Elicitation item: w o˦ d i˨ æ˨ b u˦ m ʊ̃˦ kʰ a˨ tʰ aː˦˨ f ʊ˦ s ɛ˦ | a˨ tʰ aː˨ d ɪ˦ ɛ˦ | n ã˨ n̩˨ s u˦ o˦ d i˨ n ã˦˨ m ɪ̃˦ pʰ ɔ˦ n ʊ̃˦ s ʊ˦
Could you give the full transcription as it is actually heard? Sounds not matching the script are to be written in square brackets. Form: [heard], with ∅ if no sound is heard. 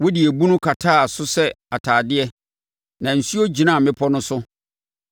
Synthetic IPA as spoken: w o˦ d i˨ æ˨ b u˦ [n] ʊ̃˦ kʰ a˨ tʰ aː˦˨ [s] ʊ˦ s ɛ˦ | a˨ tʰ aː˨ d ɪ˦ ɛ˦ | n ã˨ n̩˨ s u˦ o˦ [d͡ʑ] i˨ n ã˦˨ m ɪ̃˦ pʰ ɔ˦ n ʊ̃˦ s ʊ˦